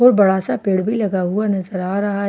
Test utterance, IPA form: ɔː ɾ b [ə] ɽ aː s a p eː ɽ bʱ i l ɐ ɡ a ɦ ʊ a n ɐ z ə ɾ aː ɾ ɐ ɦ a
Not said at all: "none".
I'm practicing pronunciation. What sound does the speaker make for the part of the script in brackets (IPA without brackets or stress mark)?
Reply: ɐ